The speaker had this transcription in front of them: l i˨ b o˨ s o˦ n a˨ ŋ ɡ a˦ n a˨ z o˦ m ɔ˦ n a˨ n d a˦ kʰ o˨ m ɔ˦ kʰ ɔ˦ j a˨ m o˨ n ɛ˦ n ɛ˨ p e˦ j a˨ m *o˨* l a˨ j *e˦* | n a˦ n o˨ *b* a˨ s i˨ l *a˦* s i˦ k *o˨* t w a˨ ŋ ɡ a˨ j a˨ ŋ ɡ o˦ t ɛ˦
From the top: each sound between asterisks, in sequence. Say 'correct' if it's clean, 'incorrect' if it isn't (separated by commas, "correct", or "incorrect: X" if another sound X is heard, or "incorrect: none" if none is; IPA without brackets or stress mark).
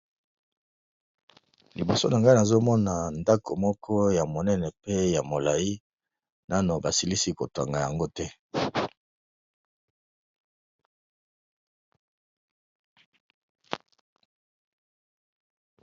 correct, incorrect: i˦, correct, incorrect: i˦, correct